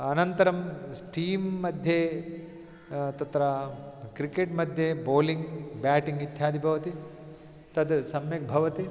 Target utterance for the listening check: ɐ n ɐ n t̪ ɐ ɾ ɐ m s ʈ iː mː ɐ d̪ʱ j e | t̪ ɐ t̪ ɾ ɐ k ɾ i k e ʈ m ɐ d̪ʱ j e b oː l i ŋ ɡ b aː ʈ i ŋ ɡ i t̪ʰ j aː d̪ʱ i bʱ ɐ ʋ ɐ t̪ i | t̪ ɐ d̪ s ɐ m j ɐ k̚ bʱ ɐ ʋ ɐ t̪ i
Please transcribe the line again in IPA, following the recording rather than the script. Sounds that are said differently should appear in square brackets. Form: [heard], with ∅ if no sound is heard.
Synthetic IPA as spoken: ɐ n ɐ n t̪ ɐ ɾ ɐ m s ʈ iː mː ɐ d̪ʱ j e | t̪ ɐ t̪ ɾ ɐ k ɾ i k e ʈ m ɐ d̪ʱ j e b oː l i ŋ ɡ b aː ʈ i ŋ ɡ i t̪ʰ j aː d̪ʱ i bʱ ɐ ʋ ɐ t̪ i | t̪ ɐ d̪ s ɐ m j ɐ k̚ bʱ ɐ ʋ ɐ t̪ i

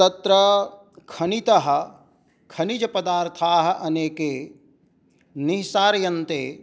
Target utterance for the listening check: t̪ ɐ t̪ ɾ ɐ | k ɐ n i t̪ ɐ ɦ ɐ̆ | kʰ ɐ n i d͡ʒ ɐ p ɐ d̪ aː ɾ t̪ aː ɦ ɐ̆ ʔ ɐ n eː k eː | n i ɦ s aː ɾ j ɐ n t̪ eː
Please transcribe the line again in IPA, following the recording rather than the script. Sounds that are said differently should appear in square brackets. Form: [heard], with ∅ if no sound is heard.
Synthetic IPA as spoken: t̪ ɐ t̪ ɾ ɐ | [kʰ] ɐ n i t̪ ɐ ɦ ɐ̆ | kʰ ɐ n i d͡ʒ ɐ p ɐ d̪ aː ɾ [t̪ʰ] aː ɦ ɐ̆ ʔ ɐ n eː k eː | n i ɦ s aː ɾ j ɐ n t̪ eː

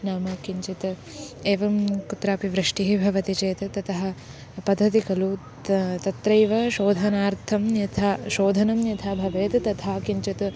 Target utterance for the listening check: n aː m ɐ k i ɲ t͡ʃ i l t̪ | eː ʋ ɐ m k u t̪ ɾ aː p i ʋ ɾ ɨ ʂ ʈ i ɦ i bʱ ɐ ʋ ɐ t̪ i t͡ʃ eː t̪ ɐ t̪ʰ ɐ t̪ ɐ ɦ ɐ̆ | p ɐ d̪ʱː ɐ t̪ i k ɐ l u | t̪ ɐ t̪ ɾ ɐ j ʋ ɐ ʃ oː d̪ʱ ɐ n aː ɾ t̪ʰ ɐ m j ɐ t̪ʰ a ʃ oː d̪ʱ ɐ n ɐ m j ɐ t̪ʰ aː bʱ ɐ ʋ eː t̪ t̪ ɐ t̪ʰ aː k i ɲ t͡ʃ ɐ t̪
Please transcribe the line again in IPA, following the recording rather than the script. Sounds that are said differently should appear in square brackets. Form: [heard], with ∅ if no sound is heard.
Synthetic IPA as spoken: n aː m ɐ k i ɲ t͡ʃ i [∅] t̪ | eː ʋ ɐ m k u t̪ ɾ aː p i ʋ ɾ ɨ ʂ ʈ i ɦ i bʱ ɐ ʋ ɐ t̪ i t͡ʃ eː t̪ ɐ [t̪] ɐ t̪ ɐ ɦ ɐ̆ | p ɐ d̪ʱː ɐ t̪ i k ɐ l u | t̪ ɐ t̪ ɾ ɐ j ʋ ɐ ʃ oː d̪ʱ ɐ n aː ɾ t̪ʰ ɐ m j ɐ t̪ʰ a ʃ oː d̪ʱ ɐ n ɐ m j ɐ t̪ʰ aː bʱ ɐ ʋ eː t̪ t̪ ɐ t̪ʰ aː k i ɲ t͡ʃ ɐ t̪

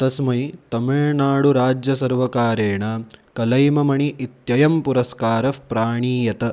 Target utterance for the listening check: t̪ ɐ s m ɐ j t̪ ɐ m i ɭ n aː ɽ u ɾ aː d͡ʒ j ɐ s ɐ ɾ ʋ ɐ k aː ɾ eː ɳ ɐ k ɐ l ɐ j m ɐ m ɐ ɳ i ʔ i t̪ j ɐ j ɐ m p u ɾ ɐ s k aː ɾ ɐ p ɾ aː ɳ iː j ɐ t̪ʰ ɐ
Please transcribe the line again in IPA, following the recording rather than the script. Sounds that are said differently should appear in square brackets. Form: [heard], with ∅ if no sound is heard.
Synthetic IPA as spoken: t̪ ɐ s m ɐ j t̪ ɐ m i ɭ n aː ɽ u ɾ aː d͡ʒ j ɐ s ɐ ɾ ʋ ɐ k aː ɾ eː ɳ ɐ k ɐ l ɐ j m ɐ m ɐ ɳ i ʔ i t̪ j ɐ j ɐ m p u ɾ ɐ s k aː ɾ ɐ p ɾ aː ɳ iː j ɐ [t̪] ɐ

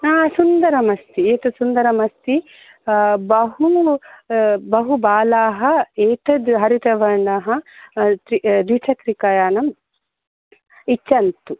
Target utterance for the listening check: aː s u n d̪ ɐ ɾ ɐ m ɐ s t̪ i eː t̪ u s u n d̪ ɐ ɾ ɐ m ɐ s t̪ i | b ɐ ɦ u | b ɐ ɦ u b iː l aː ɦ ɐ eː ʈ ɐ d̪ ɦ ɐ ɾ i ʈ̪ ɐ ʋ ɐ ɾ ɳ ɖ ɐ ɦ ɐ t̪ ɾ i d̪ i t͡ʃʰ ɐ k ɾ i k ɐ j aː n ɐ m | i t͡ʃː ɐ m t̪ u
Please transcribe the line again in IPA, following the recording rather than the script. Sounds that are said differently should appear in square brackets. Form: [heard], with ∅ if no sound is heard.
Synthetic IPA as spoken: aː s u n d̪ ɐ ɾ ɐ m ɐ s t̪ i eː t̪ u s u n d̪ ɐ ɾ ɐ m ɐ s t̪ i | b ɐ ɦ u | b ɐ ɦ u b [aː] l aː ɦ ɐ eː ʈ ɐ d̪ ɦ ɐ ɾ i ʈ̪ ɐ ʋ ɐ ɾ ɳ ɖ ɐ ɦ ɐ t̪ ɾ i d̪ i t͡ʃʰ ɐ k ɾ i k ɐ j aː n ɐ m | i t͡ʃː ɐ [n] t̪ u

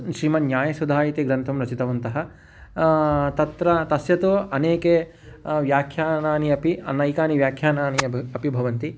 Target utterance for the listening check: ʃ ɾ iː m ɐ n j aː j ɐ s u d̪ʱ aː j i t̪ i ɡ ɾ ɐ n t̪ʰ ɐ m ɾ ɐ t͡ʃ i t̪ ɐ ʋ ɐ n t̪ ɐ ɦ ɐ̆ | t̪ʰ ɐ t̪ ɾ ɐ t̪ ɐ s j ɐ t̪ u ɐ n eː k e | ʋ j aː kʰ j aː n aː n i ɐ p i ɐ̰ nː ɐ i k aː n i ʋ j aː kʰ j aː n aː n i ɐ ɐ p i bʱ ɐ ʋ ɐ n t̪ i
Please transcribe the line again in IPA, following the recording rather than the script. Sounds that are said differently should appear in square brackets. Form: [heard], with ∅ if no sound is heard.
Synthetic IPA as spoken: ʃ ɾ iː m ɐ n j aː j ɐ s u d̪ʱ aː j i t̪ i ɡ ɾ ɐ n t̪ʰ ɐ m ɾ ɐ t͡ʃ i t̪ ɐ ʋ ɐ n t̪ ɐ ɦ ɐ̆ | [t̪] ɐ t̪ ɾ ɐ t̪ ɐ s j ɐ t̪ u ɐ n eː k e | ʋ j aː kʰ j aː n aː n i ɐ p i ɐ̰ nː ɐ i k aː n i ʋ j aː kʰ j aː n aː n i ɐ ɐ p i bʱ ɐ ʋ ɐ n t̪ i

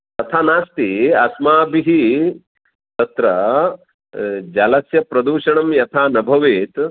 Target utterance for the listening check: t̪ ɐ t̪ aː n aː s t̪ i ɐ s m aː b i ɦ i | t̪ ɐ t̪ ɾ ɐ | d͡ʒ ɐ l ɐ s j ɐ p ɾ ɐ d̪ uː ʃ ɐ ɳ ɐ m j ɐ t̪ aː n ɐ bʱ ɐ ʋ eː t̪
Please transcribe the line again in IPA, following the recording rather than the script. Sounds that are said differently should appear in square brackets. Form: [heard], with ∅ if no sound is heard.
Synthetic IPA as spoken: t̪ ɐ [t̪ʰ] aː n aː s t̪ i ɐ s m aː b i ɦ i | t̪ ɐ t̪ ɾ ɐ | d͡ʒ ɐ l ɐ s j ɐ p ɾ ɐ d̪ uː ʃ ɐ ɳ ɐ m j ɐ [t̪ʰ] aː n ɐ bʱ ɐ ʋ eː t̪

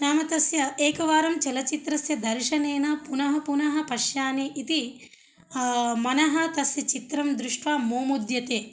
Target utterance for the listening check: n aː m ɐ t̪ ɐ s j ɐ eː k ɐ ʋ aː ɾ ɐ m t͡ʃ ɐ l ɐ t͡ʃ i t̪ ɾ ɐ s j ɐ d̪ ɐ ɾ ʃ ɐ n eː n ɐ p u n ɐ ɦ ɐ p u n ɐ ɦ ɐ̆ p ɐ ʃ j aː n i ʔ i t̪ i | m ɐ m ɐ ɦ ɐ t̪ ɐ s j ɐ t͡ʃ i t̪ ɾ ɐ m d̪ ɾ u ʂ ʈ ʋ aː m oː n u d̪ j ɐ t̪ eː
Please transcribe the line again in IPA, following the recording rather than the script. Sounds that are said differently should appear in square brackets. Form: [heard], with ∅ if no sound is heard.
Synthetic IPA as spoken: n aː m ɐ t̪ ɐ s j ɐ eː k ɐ ʋ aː ɾ ɐ m t͡ʃ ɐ l ɐ t͡ʃ i t̪ ɾ ɐ s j ɐ d̪ ɐ ɾ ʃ ɐ n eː n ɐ p u n ɐ ɦ ɐ p u n ɐ ɦ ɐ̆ p ɐ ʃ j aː n i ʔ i t̪ i | m ɐ [n] ɐ ɦ ɐ t̪ ɐ s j ɐ t͡ʃ i t̪ ɾ ɐ m d̪ ɾ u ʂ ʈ ʋ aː m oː [m] u d̪ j ɐ t̪ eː

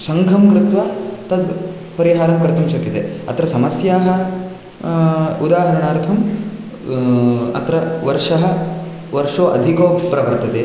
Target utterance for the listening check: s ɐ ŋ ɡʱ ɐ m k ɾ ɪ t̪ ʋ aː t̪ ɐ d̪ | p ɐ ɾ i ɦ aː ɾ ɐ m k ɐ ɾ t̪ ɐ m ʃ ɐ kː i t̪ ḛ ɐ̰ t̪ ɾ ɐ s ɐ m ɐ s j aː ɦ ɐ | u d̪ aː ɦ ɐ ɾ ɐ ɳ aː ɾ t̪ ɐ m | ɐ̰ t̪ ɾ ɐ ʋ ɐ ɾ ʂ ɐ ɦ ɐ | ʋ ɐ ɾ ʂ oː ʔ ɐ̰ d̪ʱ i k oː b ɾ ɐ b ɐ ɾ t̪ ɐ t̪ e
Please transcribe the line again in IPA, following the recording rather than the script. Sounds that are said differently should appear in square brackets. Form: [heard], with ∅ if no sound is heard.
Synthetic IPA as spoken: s ɐ ŋ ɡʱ ɐ m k ɾ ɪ t̪ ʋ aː t̪ ɐ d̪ | p ɐ ɾ i ɦ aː ɾ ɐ m k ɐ ɾ t̪ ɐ m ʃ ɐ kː i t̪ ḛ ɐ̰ t̪ ɾ ɐ s ɐ m ɐ s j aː ɦ ɐ | u d̪ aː ɦ ɐ ɾ ɐ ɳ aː ɾ [t̪ʰ] ɐ m | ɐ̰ t̪ ɾ ɐ ʋ ɐ ɾ ʂ ɐ ɦ ɐ | ʋ ɐ ɾ ʂ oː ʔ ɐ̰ d̪ʱ i k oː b ɾ ɐ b ɐ ɾ t̪ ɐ t̪ e

